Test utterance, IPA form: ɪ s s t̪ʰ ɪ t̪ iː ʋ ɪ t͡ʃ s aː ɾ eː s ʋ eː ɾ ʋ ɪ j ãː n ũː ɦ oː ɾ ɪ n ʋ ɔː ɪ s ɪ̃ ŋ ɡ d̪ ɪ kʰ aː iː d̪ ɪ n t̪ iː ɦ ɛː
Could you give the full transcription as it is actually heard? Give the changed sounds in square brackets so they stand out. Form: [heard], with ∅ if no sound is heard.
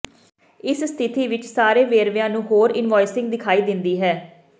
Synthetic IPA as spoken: ɪ s s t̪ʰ ɪ t̪ iː ʋ ɪ t͡ʃ s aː ɾ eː [∅] ʋ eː ɾ ʋ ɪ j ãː n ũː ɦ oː ɾ ɪ n ʋ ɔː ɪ s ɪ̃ ŋ ɡ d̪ ɪ kʰ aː iː d̪ ɪ n [d̪] iː ɦ ɛː

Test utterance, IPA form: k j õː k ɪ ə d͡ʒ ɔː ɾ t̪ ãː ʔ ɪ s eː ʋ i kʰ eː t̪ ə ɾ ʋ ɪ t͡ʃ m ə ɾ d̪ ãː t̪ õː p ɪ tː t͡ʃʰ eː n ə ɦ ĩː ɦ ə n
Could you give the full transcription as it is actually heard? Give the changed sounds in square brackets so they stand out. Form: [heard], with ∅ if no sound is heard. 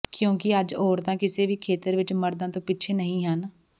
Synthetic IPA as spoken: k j õː k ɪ ə d͡ʒ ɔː ɾ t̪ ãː [k] ɪ s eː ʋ [iː] kʰ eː t̪ ə ɾ ʋ ɪ t͡ʃ m ə ɾ d̪ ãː t̪ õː p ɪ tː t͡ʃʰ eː n ə ɦ ĩː ɦ ə n

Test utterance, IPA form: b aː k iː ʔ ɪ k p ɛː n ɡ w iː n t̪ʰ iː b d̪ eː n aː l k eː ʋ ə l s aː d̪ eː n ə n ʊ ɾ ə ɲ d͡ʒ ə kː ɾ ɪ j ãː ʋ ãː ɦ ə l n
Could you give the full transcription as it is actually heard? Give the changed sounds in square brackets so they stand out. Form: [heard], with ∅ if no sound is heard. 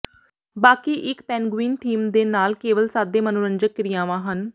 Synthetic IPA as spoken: b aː k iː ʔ ɪ k p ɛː n ɡ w iː n t̪ʰ iː [m] d̪ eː n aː l k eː ʋ ə l s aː d̪ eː [m] ə n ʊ ɾ ə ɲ d͡ʒ ə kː ɾ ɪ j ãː ʋ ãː ɦ ə [∅] n

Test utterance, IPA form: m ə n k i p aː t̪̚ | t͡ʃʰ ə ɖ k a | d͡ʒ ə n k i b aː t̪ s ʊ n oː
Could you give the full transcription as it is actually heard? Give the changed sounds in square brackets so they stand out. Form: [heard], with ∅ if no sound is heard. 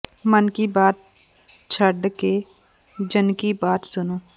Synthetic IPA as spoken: m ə n k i [b] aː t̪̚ | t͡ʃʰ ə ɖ k [e] | d͡ʒ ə n k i b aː t̪ s ʊ n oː

